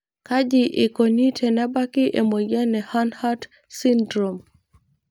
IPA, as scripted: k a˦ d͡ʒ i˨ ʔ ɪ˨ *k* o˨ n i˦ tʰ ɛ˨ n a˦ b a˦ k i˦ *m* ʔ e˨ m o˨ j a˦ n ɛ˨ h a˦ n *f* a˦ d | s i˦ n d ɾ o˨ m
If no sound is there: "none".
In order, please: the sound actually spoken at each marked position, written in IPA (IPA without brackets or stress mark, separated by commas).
k, none, h